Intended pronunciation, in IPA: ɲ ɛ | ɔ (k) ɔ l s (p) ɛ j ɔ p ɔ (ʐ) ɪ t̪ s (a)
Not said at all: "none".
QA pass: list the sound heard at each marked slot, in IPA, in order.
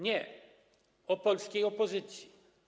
p, k, z, i

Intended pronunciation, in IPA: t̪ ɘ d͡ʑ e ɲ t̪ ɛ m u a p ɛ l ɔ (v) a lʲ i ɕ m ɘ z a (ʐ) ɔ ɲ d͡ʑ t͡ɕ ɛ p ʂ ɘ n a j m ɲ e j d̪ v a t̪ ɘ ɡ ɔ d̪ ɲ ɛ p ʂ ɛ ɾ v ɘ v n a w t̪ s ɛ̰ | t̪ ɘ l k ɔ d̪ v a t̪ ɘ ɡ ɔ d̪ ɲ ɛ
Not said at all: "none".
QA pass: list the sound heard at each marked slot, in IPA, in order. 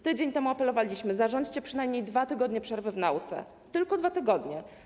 v, ʐ

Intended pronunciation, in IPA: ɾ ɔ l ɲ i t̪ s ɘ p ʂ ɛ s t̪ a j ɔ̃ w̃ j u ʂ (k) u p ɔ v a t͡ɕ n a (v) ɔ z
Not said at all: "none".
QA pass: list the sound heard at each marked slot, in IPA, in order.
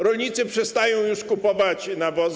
k, v

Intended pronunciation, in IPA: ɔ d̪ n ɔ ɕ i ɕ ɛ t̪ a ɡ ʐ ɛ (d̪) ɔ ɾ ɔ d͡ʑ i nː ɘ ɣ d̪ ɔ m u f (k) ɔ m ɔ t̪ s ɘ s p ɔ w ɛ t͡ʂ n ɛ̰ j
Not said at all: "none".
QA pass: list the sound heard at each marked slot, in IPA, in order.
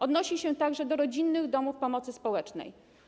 d̪, p

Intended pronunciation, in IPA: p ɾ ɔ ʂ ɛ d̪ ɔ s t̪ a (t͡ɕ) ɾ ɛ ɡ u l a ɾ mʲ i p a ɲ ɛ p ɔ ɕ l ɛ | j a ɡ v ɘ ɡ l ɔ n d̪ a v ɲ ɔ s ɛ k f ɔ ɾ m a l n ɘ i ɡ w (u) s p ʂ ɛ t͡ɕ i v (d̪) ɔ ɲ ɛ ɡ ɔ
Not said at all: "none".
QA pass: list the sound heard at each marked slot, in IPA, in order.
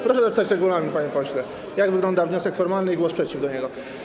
t͡ɕ, ɔ, d̪

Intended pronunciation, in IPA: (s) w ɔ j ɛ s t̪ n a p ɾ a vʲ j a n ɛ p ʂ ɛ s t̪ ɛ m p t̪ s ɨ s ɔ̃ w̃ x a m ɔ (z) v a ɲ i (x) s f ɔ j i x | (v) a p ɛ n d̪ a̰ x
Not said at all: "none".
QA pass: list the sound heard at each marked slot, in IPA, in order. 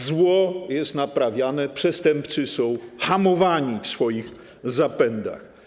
z, none, f, z

